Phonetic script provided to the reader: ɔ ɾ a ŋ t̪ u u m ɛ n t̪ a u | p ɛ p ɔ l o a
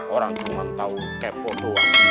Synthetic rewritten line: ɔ ɾ a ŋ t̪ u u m a n t̪ a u | k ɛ p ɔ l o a